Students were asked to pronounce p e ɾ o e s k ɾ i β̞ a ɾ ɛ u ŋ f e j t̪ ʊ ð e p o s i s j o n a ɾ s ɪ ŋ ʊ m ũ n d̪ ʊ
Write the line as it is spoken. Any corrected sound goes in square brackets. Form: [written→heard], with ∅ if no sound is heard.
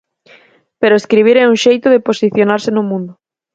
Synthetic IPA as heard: p e ɾ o e s k ɾ i β̞ [a→i] ɾ ɛ u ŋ [f→ʃ] e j t̪ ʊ ð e p o s i [s→θ] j o n a ɾ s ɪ [ŋ→n] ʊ m ũ n d̪ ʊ

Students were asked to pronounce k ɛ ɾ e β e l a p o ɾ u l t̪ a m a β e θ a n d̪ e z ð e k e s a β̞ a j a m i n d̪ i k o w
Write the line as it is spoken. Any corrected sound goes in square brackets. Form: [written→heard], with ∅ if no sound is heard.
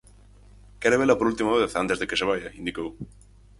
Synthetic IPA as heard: k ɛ ɾ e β e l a p o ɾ u l t̪ [a→i] m a β e θ a n [d̪→t̪] e z ð e k e s [a→e] β̞ a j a [m→∅] i n d̪ i k o w

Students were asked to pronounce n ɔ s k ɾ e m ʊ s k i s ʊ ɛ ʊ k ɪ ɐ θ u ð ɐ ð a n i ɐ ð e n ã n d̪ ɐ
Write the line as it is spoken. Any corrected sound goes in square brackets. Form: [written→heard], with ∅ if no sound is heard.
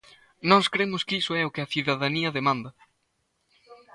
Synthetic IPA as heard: n ɔ s k ɾ e m ʊ s k i s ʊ ɛ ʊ k ɪ ɐ θ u ð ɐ ð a n i ɐ ð e [n→m] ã n d̪ ɐ

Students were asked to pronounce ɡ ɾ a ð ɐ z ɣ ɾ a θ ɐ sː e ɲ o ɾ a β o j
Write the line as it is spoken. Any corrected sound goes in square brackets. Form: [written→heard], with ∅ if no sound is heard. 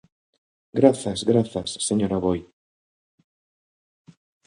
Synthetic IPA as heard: ɡ ɾ a [ð→θ] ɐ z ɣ ɾ a θ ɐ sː e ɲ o ɾ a β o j

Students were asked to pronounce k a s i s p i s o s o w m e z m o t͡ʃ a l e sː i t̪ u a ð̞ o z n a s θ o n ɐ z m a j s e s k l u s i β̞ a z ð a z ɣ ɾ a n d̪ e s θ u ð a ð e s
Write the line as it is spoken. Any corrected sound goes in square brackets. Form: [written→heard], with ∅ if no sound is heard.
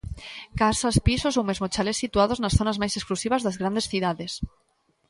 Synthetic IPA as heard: k a s [i→a] s p i s o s o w m e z m o t͡ʃ a l e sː i t̪ u a ð̞ o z n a s θ o n [ɐ→a] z m a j s e s k l u s i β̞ a z ð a z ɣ ɾ a n d̪ e s θ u ð a ð e s

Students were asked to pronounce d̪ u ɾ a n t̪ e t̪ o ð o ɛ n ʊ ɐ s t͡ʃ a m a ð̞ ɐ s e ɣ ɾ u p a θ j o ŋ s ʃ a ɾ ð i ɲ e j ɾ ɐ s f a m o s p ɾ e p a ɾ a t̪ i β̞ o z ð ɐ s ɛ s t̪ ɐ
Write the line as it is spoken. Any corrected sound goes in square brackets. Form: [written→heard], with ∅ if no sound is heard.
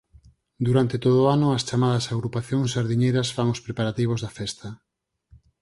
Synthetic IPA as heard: d̪ u ɾ a n t̪ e t̪ o ð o [ɛ→a] n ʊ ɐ s t͡ʃ a m a ð̞ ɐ s [e→a] ɣ ɾ u p a θ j o ŋ s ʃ a ɾ ð i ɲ e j ɾ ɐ s f a [m→ŋ] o s p ɾ e p a ɾ a t̪ i β̞ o z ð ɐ [s→f] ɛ s t̪ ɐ

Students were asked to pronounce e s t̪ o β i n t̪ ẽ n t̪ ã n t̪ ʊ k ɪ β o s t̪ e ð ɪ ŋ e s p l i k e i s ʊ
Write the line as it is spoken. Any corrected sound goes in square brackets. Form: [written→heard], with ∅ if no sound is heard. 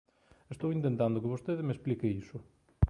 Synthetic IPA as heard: e s t̪ o [β→w] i n t̪ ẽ n t̪ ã n [t̪→d̪] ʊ k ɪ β o s t̪ e ð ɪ [ŋ→m] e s p l i k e i s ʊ

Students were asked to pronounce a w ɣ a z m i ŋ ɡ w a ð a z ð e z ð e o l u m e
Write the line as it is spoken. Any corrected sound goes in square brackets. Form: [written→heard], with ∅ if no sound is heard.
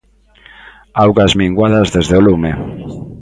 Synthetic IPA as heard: a w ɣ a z m i ŋ ɡ w a ð a z ð e z ð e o l u m e

